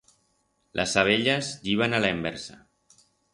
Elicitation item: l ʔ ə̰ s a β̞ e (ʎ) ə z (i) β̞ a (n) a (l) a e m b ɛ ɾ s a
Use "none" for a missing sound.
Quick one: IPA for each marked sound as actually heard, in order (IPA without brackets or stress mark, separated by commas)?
ʎ, i, n, l